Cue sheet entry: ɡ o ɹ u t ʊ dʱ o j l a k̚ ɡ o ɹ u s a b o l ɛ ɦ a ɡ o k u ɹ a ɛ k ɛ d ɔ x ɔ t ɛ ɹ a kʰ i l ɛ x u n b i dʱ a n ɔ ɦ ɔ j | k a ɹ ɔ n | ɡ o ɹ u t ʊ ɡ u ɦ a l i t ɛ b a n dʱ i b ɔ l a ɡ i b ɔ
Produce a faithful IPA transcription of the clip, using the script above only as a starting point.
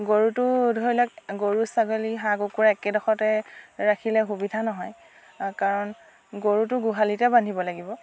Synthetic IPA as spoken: ɡ o ɹ u t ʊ dʱ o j l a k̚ ɡ o ɹ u s a ɡ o l i ɦ a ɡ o k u ɹ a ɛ k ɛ d ɔ x ɔ t ɛ ɹ a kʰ i l ɛ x u b i dʱ a n ɔ ɦ ɔ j | k a ɹ ɔ n | ɡ o ɹ u t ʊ ɡ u ɦ a l i t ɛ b a n dʱ i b ɔ l a ɡ i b ɔ